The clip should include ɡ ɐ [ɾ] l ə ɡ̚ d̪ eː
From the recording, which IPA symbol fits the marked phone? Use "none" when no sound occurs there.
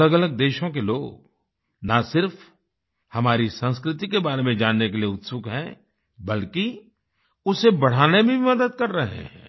none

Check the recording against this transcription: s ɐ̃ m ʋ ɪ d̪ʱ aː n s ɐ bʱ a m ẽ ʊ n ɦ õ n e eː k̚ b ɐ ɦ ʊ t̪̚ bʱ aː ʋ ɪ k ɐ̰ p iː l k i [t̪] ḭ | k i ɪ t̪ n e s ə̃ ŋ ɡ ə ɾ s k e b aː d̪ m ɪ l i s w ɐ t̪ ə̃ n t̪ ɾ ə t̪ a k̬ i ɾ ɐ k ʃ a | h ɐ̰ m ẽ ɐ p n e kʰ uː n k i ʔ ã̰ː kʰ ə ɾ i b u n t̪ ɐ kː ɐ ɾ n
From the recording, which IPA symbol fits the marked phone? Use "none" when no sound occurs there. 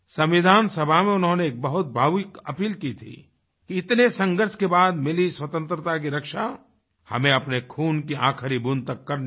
t̪ʰ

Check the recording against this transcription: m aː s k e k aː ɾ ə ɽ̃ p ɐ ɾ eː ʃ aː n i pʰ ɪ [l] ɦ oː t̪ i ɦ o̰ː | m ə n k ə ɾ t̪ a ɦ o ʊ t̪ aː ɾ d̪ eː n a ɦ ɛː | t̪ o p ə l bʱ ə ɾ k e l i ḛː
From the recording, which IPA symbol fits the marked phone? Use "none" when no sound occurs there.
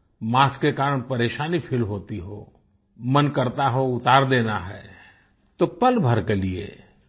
l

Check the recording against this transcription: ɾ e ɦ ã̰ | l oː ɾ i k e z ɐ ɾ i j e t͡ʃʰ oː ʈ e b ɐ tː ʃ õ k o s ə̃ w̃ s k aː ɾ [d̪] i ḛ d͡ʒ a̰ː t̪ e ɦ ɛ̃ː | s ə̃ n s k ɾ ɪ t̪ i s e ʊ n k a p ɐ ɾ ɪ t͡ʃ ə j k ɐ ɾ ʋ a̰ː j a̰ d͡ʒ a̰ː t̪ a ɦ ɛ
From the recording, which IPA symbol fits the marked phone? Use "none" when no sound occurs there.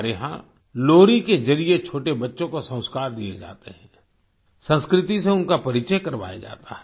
d̪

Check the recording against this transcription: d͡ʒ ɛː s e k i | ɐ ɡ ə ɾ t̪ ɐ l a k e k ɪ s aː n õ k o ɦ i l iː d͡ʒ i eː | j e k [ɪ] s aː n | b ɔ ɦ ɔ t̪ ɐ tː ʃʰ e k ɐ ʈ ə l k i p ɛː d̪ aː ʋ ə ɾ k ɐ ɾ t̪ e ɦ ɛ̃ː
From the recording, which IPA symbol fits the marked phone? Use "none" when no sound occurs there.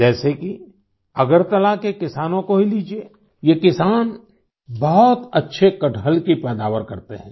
ɪ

